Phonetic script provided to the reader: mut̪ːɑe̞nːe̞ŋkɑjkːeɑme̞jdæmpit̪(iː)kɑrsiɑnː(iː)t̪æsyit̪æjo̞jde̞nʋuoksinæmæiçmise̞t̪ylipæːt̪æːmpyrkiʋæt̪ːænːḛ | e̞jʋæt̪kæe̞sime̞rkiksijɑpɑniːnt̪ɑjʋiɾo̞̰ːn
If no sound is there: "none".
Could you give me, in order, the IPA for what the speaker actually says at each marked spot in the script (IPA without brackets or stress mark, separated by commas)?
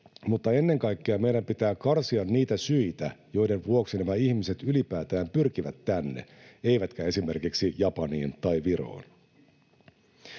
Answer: æː, iː